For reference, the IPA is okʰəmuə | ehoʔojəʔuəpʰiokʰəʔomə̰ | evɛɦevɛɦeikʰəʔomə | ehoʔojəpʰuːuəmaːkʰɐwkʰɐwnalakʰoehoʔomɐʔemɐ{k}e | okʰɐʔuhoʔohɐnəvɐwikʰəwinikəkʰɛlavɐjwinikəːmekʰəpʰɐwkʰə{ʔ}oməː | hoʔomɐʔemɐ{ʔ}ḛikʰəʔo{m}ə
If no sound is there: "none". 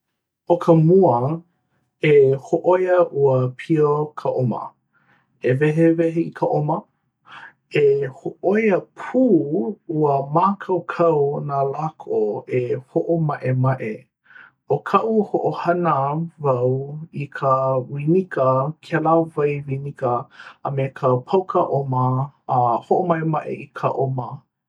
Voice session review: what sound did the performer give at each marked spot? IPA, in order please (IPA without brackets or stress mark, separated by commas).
ʔ, ʔ, ʔ, m